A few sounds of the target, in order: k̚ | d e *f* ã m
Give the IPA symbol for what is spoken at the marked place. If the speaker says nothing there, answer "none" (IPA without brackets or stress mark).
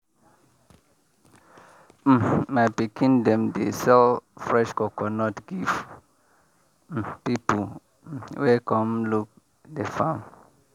f